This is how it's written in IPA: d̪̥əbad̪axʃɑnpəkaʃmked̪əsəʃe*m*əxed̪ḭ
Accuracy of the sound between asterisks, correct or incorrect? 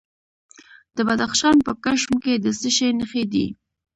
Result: incorrect